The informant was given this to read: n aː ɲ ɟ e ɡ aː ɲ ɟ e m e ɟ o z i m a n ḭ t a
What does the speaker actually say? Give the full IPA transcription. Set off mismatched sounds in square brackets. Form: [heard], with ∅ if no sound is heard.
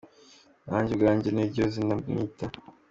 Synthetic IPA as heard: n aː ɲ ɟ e ɡ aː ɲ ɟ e [n] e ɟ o z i [n] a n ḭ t a